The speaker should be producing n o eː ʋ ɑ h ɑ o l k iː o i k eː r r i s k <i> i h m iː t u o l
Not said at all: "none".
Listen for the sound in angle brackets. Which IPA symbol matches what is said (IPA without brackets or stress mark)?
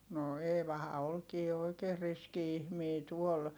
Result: i